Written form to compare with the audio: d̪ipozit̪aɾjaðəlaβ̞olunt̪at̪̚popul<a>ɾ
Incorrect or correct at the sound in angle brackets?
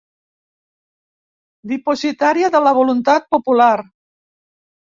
correct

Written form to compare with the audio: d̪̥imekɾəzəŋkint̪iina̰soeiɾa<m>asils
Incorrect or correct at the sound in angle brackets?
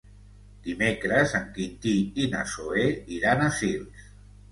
incorrect: n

